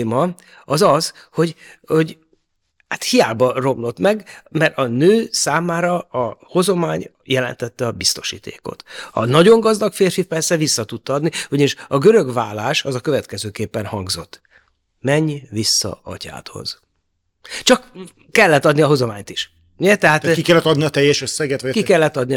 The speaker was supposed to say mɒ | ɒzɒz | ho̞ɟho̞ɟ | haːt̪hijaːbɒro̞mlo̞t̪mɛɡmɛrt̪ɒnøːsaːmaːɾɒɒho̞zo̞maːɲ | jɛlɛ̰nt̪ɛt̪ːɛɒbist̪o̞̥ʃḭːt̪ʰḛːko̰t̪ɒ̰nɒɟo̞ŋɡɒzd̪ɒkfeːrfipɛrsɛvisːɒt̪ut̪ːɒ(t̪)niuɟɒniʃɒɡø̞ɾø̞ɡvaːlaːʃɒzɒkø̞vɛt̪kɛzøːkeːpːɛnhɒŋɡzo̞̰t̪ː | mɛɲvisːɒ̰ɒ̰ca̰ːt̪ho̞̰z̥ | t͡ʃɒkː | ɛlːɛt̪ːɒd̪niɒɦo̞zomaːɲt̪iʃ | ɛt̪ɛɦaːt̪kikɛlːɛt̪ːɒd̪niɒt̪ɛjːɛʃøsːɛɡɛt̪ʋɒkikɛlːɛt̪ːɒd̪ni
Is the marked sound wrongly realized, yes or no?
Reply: yes